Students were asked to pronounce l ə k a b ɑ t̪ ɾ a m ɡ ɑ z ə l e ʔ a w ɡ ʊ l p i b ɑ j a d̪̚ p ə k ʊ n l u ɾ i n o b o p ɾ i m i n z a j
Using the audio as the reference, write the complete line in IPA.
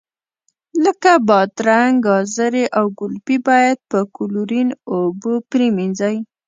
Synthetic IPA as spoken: l ə k a b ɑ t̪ ɾ a ŋ ɡ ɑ z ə ɾ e ʔ a w ɡ ʊ l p i b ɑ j a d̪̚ p ə k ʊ l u ɾ i n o b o p ɾ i m i n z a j